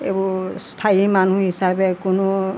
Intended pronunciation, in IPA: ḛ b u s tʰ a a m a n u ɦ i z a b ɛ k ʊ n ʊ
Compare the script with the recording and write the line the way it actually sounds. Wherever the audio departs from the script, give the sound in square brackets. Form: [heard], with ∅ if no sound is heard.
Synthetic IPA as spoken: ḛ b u s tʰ a [i] m a n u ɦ i [s] a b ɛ k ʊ n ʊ

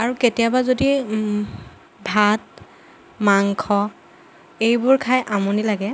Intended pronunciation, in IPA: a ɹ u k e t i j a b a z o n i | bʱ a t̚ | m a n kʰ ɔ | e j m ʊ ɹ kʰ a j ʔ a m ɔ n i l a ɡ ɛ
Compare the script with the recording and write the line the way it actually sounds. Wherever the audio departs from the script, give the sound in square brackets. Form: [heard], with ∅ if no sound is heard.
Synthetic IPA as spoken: a ɹ u k e t i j a b a z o [d] i | bʱ a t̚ | m a [ŋ] kʰ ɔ | e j [b] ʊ ɹ kʰ a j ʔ a m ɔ n i l a ɡ ɛ

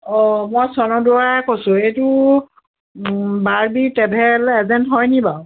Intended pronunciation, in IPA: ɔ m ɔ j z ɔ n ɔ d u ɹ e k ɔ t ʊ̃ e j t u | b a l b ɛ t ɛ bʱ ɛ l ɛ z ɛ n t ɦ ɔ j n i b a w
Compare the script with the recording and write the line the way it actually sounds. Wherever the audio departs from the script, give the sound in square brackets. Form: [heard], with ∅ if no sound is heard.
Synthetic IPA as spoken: ɔ m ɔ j [s] ɔ n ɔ d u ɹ [a] k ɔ [s] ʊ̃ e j t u | b a [ɹ] b [i] t ɛ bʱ ɛ l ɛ z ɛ n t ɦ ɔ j n i b a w

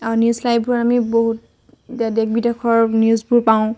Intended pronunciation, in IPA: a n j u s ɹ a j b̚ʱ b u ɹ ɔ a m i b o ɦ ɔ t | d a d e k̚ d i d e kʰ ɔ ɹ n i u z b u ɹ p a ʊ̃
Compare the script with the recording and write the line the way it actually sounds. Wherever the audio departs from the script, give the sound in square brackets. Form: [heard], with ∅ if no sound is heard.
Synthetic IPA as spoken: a n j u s [l] a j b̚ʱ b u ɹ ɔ a m i b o ɦ [u] t | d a d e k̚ [b] i d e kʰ ɔ ɹ n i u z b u ɹ p a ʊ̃

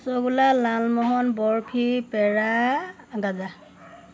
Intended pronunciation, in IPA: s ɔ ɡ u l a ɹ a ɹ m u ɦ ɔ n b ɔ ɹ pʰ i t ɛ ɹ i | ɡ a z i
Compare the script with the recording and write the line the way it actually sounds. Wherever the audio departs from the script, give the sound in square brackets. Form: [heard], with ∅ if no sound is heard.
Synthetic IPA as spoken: s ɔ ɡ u l a [l] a [l] m [ɔ] ɦ ɔ n b ɔ ɹ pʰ i [p] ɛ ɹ [a] | ɡ a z [a]

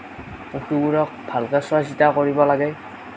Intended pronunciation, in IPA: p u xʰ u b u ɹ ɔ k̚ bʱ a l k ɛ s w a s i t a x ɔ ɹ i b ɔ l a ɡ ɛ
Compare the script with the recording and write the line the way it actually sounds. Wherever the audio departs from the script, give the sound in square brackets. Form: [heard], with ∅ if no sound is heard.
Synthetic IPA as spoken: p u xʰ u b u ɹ ɔ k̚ bʱ a l k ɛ s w a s i t a [k] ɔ ɹ i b ɔ l a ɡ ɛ

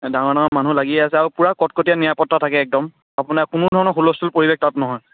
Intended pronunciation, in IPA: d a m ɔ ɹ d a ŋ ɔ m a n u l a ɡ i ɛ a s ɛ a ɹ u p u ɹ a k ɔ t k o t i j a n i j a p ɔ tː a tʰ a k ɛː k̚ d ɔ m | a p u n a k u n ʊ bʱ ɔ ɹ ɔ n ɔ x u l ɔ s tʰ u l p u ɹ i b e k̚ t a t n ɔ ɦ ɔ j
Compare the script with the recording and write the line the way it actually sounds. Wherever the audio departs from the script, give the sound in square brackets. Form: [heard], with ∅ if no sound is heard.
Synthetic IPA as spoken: d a [ŋ] ɔ ɹ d a ŋ ɔ m a n u l a ɡ i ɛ a s ɛ a ɹ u p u ɹ a k ɔ t k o t i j a n i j a p ɔ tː a tʰ a k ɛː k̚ d ɔ m | a p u n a k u n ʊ [dʱ] ɔ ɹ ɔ n ɔ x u l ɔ s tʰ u l p [o] ɹ i b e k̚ t a t n ɔ ɦ ɔ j

